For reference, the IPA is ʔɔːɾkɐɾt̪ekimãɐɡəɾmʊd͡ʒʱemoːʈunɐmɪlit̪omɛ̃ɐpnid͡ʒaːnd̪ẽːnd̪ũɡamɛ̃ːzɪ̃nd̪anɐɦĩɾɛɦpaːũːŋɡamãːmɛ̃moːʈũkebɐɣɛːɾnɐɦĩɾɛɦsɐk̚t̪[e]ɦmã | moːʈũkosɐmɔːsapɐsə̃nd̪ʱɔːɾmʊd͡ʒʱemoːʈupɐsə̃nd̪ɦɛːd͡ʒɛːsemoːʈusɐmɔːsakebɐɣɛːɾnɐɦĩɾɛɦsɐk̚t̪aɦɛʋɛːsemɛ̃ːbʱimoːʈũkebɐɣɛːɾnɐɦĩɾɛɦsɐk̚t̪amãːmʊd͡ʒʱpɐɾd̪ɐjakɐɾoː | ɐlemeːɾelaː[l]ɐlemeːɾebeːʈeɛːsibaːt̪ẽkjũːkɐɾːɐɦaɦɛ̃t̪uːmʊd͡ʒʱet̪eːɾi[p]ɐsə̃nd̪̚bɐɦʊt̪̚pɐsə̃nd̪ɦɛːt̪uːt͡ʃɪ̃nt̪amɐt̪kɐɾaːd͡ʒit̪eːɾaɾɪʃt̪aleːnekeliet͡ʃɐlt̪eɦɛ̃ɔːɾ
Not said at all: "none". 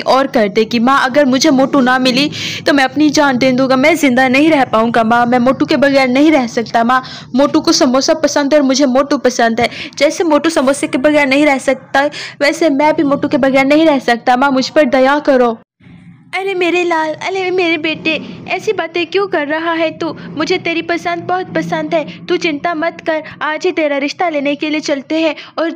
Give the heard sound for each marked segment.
a, l, p

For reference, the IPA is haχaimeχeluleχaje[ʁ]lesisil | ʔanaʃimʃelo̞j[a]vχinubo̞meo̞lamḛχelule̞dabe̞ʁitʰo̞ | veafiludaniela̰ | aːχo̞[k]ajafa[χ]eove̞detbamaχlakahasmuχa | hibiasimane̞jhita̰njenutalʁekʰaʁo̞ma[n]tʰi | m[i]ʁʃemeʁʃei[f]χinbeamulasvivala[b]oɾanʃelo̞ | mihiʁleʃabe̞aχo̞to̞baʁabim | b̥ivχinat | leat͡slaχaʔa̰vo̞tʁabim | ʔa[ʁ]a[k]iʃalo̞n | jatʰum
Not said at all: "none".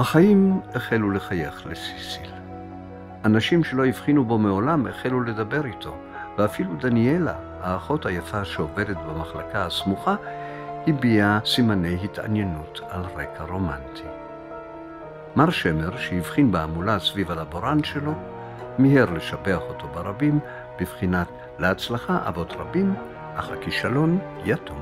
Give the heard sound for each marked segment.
χ, i, t, ʃ, n, a, v, b, χ, k

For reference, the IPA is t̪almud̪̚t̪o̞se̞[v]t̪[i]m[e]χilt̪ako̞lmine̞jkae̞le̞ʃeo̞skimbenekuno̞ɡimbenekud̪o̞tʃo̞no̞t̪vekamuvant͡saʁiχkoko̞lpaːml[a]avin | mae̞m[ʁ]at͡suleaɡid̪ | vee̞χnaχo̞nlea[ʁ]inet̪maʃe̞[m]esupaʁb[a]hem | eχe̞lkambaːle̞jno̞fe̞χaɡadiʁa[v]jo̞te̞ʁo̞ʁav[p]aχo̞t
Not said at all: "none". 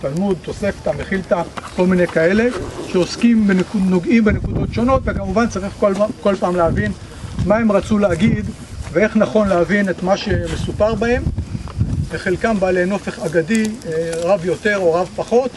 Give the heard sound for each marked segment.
f, a, e, e, ʁ, v, m, a, v, p

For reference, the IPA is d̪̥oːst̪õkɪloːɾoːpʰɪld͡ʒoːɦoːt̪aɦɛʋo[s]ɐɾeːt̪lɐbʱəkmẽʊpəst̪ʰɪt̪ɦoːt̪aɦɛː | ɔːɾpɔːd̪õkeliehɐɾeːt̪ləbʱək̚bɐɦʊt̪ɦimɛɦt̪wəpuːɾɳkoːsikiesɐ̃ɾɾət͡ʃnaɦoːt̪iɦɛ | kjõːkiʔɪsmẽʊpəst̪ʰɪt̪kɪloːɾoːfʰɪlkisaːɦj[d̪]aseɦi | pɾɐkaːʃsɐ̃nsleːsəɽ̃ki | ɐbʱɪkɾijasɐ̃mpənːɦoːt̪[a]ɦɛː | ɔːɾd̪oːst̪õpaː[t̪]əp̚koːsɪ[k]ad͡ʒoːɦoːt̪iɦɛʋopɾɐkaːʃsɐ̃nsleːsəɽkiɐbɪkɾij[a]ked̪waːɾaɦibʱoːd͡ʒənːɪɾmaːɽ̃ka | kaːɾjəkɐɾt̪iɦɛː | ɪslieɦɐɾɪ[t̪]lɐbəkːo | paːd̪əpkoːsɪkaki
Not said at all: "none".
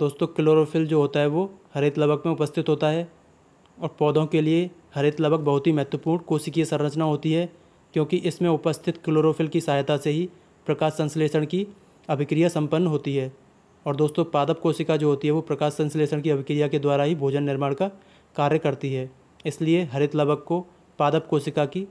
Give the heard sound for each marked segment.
h, t̪, i, d̪, k, a, t̪

